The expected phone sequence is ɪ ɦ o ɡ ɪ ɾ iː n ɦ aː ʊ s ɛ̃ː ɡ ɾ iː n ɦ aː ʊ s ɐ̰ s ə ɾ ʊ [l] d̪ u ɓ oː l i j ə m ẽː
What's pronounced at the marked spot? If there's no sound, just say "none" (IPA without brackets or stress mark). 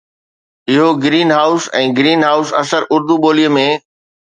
ɾ